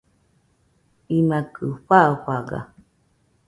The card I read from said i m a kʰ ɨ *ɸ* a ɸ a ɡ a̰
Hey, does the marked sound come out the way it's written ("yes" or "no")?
yes